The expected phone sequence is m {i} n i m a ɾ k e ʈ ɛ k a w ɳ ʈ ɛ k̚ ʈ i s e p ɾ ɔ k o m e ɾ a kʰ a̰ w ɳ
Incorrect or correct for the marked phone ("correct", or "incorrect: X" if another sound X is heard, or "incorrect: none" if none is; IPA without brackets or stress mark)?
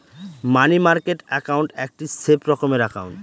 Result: incorrect: a